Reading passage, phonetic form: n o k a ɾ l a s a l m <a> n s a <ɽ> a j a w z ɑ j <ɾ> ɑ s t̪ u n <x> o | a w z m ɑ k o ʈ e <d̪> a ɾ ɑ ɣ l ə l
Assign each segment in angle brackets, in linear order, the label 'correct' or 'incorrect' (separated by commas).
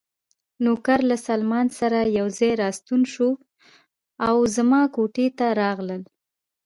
incorrect, incorrect, correct, incorrect, incorrect